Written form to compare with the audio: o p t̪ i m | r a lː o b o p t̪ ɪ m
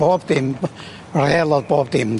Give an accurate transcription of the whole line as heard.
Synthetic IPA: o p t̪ i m | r e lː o p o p t̪ i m